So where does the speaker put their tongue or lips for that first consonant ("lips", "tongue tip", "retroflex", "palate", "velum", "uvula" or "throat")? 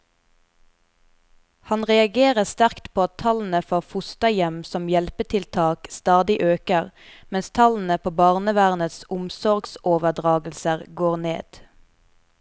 throat